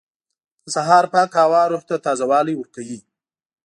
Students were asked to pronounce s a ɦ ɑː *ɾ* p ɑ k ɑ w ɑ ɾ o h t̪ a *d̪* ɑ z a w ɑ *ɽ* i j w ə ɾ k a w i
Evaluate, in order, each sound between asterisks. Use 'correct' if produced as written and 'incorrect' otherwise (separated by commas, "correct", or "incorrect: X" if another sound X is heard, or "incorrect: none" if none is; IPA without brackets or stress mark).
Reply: correct, incorrect: t̪, incorrect: l